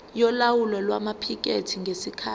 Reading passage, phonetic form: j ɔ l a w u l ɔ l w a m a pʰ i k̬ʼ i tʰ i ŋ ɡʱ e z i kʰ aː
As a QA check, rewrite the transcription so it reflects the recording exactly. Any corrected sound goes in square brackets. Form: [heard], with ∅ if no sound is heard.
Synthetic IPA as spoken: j ɔ l a w u l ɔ l w a m a pʰ i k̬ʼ [e] tʰ i ŋ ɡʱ e [s] i kʰ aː